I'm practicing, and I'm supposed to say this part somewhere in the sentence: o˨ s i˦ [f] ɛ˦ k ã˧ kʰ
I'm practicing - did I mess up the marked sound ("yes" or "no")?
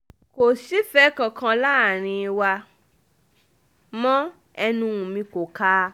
no